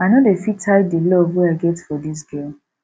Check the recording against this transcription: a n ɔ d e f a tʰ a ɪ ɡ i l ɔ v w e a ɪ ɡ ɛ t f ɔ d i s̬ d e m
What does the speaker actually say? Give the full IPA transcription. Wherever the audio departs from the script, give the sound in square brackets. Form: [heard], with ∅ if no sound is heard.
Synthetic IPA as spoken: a n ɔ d e f [i] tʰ a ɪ [d] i l ɔ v w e a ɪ ɡ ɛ t f ɔ d i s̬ [ɡ] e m